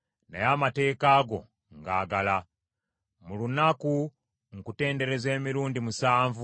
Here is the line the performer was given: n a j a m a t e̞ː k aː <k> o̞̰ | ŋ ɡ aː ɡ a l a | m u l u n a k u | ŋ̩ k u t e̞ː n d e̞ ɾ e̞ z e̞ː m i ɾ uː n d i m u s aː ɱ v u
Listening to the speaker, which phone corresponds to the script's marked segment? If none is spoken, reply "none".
ɡ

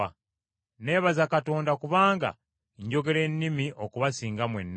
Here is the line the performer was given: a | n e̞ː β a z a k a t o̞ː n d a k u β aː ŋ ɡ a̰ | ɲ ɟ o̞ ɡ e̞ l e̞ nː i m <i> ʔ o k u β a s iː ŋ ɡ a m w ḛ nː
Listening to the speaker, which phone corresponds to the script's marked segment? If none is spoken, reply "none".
i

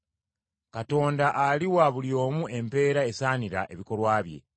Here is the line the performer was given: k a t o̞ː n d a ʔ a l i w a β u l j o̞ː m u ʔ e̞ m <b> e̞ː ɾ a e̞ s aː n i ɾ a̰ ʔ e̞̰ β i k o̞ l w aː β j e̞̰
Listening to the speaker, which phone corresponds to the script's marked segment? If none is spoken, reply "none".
p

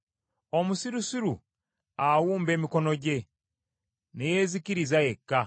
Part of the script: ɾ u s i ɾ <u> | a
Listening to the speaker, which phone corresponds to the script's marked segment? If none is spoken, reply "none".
u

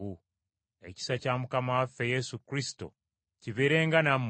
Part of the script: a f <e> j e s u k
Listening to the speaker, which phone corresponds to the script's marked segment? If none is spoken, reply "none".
e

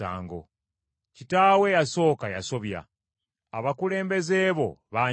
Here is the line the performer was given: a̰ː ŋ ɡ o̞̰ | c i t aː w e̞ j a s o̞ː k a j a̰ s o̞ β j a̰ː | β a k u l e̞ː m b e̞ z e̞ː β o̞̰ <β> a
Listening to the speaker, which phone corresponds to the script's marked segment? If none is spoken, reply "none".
β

